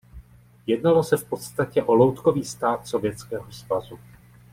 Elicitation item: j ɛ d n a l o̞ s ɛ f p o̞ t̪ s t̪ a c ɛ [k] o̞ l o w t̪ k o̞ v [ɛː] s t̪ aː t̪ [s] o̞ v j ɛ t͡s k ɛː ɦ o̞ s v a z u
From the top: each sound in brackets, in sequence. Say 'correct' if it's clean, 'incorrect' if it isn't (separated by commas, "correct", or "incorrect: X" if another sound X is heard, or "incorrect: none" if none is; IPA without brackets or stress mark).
incorrect: ʔ, incorrect: iː, correct